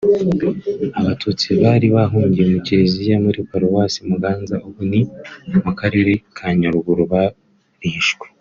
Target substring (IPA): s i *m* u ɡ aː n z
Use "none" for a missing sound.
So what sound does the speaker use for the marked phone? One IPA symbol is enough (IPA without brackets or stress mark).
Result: m